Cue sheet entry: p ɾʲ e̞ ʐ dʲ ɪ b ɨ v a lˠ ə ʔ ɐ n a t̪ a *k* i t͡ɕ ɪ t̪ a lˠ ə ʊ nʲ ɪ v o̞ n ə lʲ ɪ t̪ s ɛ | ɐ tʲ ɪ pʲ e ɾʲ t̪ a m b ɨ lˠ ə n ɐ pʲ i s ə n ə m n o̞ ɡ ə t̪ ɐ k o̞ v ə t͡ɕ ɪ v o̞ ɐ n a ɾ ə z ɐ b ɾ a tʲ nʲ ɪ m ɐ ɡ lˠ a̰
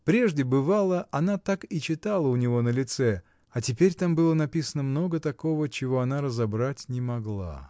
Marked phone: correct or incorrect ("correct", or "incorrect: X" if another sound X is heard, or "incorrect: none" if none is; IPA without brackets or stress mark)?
correct